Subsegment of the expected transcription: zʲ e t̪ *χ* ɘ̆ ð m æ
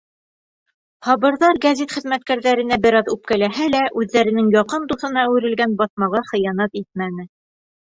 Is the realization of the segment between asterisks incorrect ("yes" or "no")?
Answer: no